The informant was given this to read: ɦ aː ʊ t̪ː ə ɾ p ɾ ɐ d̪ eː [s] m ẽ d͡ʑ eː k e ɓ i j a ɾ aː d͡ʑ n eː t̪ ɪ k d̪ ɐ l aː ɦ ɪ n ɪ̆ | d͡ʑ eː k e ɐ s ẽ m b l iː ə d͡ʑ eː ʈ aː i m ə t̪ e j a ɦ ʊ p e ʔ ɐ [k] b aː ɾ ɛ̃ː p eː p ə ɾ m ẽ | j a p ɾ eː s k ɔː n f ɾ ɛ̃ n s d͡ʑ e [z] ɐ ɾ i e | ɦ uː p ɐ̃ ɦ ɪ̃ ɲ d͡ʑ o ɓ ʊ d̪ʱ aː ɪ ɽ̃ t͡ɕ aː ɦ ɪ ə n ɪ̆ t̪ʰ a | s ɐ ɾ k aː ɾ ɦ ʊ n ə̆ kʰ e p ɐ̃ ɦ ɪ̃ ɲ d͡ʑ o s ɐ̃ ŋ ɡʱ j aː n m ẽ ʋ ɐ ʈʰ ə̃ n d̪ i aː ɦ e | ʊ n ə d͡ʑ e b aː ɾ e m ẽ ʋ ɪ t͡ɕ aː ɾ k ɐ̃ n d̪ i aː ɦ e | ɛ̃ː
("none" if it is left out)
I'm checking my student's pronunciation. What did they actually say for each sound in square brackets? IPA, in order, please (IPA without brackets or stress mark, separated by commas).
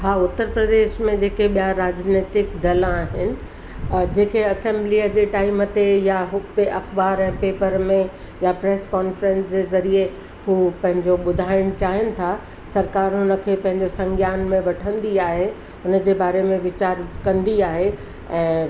ʃ, x, z